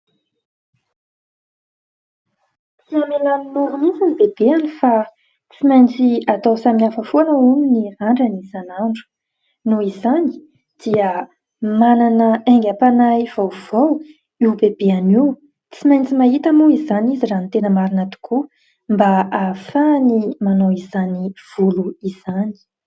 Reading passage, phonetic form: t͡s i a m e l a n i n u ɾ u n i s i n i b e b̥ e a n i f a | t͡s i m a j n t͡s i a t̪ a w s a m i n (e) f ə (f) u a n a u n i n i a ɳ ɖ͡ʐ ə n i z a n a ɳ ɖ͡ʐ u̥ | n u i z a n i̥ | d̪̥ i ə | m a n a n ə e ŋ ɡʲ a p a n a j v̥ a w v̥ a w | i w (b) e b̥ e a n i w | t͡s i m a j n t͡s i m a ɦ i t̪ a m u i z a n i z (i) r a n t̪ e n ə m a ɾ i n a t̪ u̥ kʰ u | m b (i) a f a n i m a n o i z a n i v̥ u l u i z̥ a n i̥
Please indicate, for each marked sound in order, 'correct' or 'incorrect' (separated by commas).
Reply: incorrect, correct, correct, correct, incorrect